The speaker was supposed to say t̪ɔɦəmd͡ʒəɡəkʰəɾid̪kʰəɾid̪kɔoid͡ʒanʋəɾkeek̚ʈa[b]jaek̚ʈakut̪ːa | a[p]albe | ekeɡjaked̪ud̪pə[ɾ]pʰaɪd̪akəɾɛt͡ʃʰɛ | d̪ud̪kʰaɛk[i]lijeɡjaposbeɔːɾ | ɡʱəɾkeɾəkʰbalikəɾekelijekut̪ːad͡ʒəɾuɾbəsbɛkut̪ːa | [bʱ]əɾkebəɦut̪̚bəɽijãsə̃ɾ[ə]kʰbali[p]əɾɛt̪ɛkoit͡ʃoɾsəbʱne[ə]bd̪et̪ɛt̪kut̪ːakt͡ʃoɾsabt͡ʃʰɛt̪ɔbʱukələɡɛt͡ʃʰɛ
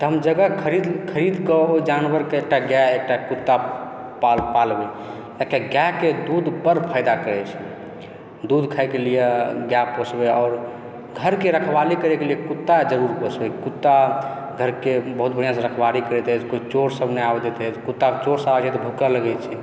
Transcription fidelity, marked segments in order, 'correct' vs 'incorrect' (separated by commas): incorrect, correct, correct, incorrect, incorrect, correct, incorrect, incorrect